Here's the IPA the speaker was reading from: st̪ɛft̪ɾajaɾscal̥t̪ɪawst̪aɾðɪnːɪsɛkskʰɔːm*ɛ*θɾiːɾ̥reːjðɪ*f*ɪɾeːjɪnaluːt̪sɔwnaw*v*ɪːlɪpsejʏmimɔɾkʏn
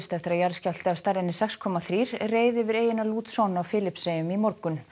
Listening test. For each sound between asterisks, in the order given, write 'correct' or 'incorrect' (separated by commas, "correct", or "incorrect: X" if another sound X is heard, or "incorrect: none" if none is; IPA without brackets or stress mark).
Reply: incorrect: a, incorrect: v, incorrect: f